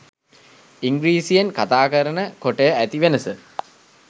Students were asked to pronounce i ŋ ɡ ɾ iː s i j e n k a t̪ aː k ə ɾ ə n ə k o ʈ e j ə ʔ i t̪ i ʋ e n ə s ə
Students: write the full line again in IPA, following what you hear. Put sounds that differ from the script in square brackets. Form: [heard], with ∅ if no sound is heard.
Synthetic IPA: i ŋ ɡ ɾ iː s i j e n k a t̪ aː k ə ɾ ə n ə k o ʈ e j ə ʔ [æ] t̪ i ʋ e n ə s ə